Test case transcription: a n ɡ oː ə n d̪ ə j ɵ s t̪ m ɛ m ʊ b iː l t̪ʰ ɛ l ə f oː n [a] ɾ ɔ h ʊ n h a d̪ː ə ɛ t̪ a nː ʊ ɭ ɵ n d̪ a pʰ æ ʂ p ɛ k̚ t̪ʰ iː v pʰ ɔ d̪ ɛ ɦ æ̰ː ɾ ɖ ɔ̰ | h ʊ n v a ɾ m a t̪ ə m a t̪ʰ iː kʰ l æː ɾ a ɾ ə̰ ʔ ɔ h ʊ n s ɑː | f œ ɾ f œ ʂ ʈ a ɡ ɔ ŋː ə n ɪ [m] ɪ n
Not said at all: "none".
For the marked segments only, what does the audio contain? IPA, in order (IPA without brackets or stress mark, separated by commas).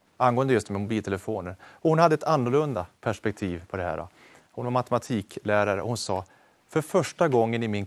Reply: ə, m